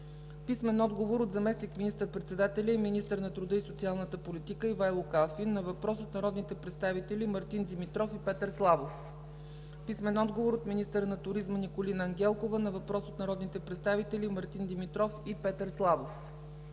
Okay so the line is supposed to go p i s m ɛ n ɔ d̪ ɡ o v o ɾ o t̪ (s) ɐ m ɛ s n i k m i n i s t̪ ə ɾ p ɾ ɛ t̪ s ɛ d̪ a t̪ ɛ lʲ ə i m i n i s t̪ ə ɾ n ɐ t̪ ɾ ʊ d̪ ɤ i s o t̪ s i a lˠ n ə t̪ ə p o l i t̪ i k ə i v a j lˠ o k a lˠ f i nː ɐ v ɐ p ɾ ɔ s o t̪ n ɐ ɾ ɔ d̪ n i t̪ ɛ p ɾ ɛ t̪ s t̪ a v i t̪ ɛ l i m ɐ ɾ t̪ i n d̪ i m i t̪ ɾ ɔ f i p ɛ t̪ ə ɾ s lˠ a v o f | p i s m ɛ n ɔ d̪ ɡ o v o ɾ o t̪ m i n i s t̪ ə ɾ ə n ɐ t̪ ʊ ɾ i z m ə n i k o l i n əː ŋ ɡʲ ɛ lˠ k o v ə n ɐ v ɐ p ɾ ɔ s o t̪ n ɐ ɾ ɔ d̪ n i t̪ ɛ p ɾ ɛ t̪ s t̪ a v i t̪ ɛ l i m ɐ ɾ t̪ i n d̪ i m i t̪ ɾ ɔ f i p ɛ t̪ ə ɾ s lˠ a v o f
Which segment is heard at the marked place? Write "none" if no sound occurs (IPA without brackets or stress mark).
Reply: z